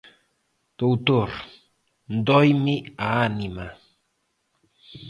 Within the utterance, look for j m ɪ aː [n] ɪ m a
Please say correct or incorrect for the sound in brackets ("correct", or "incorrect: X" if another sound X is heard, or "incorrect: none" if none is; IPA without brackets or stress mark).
correct